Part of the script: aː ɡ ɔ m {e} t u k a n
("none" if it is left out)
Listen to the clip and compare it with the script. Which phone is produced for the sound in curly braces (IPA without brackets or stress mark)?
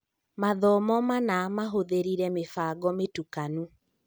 e